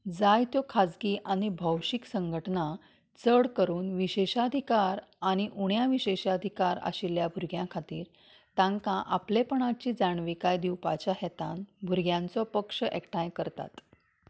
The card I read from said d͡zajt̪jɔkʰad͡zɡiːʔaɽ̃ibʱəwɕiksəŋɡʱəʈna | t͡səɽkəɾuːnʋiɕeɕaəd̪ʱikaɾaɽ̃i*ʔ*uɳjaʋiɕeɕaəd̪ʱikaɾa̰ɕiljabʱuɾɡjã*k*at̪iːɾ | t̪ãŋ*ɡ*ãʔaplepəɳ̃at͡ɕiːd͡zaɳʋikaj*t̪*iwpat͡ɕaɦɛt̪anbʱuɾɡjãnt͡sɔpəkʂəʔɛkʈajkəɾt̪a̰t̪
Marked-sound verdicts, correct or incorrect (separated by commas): correct, incorrect, incorrect, incorrect